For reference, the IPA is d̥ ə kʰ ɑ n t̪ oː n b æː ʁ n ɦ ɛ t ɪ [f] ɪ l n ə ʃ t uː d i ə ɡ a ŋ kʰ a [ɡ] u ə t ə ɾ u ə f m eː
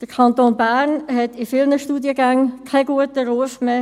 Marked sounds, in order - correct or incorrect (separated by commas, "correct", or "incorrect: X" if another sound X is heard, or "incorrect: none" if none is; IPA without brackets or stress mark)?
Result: correct, correct